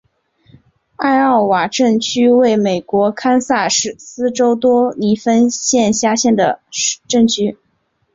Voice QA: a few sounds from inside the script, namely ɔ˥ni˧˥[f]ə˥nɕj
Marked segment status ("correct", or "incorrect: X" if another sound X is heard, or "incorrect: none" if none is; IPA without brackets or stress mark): correct